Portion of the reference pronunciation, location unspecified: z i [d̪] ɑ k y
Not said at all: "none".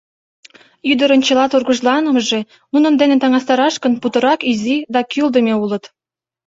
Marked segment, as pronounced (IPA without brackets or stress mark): d̪